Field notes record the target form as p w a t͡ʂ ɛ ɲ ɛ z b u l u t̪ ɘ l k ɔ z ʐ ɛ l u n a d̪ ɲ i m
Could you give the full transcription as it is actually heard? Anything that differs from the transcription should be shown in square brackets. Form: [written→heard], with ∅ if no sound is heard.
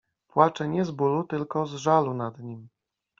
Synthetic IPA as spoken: p w a t͡ʂ ɛ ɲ ɛ z b u l u t̪ ɘ l k ɔ z ʐ [ɛ→a] l u n a d̪ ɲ i m